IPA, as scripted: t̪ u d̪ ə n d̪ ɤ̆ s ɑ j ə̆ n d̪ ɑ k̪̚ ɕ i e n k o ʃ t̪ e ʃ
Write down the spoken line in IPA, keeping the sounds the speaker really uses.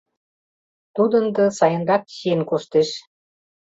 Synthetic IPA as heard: t̪ u d̪ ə n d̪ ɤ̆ s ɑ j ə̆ n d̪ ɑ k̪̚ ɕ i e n k o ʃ t̪ e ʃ